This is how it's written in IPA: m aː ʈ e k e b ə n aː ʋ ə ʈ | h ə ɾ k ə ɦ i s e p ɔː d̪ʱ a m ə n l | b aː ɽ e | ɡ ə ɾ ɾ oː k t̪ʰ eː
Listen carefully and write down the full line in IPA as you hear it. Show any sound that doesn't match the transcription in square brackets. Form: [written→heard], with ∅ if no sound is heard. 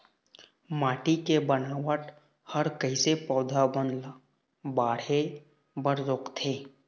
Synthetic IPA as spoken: m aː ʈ [e→i] k e b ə n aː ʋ ə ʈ | h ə ɾ k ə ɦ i s e p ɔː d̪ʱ a [m→b] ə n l | b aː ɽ e | [ɡ→b] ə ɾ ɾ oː k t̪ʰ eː